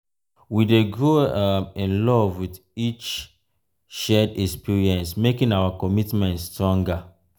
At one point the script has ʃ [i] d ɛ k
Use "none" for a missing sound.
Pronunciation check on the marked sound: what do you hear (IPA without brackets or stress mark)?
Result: ɛ